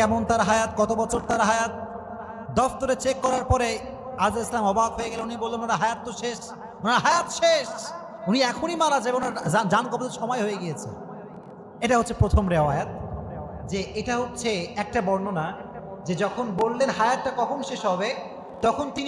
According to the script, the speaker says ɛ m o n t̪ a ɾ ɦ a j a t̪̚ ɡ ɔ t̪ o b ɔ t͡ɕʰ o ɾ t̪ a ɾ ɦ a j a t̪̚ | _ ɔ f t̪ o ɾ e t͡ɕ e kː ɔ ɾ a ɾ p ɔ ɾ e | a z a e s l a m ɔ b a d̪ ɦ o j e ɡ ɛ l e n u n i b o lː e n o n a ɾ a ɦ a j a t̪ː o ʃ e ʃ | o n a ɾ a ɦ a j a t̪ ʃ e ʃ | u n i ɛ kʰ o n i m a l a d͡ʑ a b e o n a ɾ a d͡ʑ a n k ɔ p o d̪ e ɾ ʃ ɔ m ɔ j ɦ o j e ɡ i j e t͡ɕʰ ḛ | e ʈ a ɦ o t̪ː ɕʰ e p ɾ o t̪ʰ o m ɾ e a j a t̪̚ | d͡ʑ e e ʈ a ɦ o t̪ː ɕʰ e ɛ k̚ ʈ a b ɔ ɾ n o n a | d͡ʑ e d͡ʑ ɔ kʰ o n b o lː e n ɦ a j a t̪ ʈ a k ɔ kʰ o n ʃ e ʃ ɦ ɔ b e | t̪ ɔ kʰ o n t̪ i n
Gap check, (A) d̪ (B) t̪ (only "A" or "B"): A